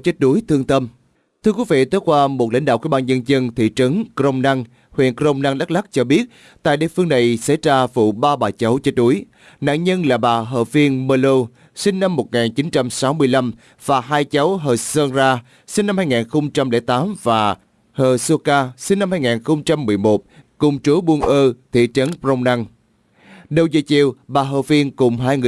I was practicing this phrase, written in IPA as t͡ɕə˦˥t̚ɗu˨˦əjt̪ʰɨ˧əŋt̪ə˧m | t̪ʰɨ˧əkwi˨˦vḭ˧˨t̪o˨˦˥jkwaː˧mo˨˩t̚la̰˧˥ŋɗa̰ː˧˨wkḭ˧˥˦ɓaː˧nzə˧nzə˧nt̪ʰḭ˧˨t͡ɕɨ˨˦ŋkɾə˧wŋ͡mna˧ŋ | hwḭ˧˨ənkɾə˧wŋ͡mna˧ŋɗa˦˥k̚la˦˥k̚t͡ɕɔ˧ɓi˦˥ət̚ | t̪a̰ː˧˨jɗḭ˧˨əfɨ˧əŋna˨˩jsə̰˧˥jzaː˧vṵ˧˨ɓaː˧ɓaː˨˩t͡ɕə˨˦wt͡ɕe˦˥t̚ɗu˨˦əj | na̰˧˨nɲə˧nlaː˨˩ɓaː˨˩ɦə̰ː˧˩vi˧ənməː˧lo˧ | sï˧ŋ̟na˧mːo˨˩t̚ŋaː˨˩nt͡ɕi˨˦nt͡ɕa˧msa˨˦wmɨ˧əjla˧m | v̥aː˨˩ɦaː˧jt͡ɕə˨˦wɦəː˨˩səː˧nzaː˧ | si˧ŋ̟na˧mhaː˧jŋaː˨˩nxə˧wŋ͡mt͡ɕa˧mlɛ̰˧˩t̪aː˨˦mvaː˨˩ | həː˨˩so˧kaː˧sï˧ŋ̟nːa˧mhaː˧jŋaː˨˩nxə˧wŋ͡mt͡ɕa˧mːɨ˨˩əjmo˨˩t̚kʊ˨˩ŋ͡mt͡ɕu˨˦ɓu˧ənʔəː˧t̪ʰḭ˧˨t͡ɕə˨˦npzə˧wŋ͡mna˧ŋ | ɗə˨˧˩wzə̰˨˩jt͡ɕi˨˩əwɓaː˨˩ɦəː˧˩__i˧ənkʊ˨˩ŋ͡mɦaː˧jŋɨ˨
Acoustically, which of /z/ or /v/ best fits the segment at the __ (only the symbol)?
v